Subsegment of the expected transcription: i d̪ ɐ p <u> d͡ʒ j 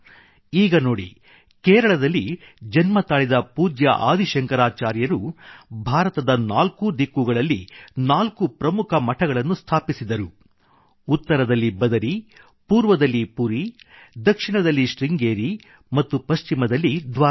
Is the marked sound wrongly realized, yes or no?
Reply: yes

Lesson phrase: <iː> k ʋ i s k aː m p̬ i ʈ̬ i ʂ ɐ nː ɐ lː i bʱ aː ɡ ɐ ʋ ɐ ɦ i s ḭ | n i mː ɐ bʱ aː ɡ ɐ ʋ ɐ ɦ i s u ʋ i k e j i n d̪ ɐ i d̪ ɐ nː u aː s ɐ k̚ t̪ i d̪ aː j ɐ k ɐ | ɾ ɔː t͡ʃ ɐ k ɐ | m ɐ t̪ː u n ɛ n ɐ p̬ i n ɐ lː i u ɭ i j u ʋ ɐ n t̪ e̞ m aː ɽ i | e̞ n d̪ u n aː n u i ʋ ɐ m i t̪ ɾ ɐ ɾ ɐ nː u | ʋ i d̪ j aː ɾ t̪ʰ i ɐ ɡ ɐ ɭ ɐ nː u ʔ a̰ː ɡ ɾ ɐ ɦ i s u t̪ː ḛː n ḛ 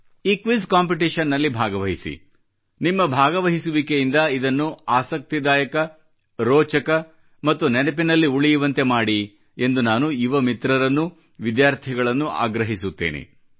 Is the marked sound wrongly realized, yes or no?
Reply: no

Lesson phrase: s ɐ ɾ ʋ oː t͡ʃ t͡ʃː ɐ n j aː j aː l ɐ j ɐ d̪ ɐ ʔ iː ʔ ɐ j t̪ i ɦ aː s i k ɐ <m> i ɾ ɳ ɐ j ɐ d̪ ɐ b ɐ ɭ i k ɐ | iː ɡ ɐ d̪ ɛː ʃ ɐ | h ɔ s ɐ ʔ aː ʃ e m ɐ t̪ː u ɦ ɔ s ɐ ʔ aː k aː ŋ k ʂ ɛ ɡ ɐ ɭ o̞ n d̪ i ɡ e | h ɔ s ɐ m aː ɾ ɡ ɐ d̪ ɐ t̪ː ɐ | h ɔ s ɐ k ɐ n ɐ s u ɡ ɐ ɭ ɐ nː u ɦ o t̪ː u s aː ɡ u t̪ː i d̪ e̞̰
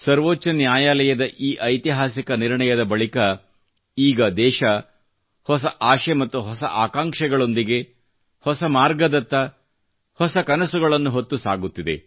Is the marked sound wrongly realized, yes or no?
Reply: yes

